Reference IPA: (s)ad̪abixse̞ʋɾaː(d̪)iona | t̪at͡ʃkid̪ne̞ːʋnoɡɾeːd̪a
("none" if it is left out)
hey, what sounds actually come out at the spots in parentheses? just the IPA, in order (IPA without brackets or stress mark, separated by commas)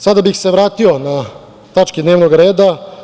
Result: s, t̪